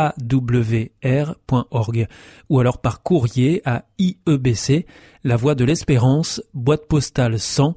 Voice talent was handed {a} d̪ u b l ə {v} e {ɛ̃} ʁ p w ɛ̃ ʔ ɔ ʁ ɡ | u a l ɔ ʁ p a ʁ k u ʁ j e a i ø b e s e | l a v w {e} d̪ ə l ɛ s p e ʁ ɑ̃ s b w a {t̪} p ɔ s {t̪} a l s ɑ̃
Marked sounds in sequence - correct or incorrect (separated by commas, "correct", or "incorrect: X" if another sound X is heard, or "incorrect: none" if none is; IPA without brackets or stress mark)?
correct, correct, incorrect: ɛ, incorrect: a, correct, correct